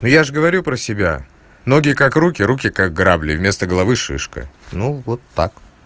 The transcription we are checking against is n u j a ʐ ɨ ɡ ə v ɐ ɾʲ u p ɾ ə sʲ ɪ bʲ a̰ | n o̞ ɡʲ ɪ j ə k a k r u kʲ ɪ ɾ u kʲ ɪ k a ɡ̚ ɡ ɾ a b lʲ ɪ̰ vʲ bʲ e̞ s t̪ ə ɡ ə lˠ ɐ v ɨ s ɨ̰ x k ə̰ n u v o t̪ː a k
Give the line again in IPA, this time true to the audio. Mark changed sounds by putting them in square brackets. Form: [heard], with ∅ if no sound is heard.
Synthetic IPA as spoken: n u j a ʐ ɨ ɡ ə v ɐ ɾʲ u p ɾ ə sʲ ɪ bʲ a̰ | n o̞ ɡʲ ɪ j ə k a k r u kʲ ɪ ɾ u kʲ ɪ k a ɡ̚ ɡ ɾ a b lʲ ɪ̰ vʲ [mʲ] e̞ s t̪ ə ɡ ə lˠ ɐ v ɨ [ʂ] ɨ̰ [ʂ] k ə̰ n u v o t̪ː a k